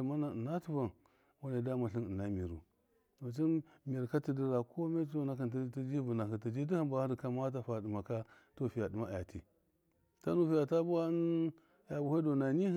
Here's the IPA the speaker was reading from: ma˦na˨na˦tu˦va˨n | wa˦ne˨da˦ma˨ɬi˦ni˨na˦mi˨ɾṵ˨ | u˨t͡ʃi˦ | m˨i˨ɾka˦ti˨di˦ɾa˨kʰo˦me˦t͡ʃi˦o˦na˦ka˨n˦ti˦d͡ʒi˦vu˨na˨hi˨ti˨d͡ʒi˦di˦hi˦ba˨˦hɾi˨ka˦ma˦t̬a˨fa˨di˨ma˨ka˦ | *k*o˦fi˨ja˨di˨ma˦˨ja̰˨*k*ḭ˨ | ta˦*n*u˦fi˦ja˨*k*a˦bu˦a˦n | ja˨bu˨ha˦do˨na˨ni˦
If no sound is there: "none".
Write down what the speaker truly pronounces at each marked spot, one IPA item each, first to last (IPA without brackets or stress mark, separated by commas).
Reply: t, t, n, t